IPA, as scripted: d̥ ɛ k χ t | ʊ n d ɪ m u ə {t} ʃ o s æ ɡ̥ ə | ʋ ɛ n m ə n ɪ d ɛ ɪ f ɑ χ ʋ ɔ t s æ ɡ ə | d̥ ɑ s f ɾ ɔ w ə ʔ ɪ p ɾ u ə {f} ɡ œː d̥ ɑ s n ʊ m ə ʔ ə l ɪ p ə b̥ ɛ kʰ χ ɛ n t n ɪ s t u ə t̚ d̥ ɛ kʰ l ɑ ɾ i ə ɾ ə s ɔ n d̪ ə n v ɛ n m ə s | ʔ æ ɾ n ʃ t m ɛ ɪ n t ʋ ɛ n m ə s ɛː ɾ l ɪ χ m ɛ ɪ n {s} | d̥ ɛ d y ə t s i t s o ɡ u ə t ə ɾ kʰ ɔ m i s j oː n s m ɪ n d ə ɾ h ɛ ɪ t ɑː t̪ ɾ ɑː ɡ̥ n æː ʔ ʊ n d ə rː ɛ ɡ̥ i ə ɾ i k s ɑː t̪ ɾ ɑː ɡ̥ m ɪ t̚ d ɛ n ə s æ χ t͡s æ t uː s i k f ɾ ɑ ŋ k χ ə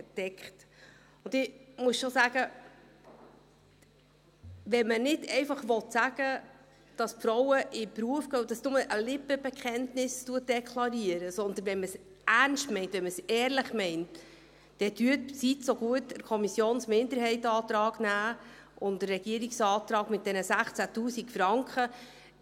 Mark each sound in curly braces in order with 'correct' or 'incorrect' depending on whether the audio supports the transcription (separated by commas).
incorrect, correct, incorrect